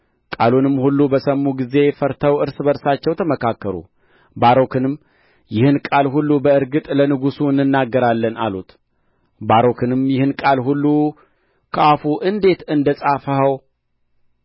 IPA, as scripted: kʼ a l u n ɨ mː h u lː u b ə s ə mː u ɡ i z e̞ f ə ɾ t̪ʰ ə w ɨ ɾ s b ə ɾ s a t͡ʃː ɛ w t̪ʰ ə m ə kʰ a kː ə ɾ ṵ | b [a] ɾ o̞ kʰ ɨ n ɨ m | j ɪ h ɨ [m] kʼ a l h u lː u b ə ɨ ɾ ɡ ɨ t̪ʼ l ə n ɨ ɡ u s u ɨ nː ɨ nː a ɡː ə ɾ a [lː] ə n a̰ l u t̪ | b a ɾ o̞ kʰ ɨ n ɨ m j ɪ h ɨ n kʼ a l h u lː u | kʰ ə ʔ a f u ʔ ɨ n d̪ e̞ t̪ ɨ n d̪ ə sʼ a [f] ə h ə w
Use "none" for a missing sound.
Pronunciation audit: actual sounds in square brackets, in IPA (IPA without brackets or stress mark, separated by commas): a, n, lː, f